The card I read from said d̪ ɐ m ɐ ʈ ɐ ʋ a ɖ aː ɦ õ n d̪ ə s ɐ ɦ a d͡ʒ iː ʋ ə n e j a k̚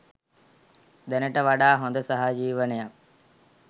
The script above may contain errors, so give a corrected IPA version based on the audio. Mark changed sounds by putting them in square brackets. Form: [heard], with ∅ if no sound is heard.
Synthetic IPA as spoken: d̪ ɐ [n] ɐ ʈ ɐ ʋ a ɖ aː ɦ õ n d̪ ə s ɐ ɦ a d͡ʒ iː ʋ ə n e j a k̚